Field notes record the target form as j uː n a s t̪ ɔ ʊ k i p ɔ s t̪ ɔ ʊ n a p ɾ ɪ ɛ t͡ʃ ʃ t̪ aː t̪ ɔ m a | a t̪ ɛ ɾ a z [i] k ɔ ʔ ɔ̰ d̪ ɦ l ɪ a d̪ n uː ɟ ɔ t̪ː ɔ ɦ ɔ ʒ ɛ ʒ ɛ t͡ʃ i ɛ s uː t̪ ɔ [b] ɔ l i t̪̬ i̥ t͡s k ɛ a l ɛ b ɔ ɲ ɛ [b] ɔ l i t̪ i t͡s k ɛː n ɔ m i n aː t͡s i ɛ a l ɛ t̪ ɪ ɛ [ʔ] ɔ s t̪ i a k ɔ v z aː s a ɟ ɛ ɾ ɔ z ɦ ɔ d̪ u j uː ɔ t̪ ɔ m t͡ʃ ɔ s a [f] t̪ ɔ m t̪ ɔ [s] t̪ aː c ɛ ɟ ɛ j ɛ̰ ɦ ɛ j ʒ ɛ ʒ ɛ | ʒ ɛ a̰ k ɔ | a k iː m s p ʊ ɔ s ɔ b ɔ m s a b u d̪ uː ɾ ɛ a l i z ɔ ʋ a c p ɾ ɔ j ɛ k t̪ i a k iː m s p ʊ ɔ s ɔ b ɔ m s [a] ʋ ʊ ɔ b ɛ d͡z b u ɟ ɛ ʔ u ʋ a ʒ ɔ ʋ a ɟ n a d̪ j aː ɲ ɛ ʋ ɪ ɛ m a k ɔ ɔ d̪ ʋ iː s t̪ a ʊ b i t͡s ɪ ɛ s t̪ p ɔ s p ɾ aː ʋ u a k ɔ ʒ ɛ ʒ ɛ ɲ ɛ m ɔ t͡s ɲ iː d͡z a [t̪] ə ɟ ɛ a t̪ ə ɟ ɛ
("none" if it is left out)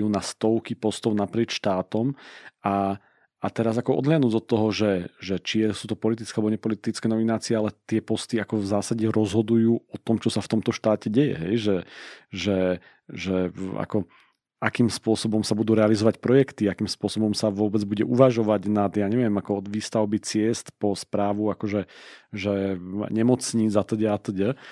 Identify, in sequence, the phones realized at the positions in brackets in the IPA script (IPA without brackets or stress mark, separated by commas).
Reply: a, p, p, p, f, ʃ, a, t̪